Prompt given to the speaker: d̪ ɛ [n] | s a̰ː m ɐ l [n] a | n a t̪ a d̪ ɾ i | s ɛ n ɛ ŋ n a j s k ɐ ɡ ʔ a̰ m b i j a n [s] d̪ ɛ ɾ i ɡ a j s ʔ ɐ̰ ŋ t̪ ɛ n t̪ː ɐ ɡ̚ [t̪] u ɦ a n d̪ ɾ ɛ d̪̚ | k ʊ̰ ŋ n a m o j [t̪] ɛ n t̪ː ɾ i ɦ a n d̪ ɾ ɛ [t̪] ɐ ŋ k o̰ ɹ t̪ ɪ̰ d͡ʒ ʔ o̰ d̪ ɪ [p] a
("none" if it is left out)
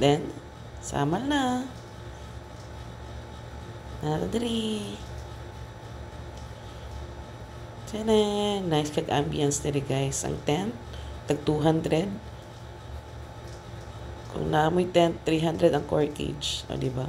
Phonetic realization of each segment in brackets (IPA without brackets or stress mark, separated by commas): n, n, s, t̪, t̪, d̪, b